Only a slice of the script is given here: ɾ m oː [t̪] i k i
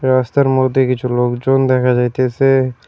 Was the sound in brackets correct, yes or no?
no